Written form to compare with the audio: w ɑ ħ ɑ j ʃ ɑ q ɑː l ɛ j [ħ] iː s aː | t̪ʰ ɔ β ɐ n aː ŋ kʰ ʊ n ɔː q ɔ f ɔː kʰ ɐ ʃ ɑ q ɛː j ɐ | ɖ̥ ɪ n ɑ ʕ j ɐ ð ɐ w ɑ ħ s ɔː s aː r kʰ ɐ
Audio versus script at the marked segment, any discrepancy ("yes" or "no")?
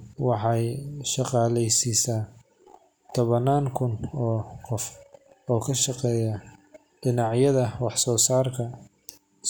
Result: yes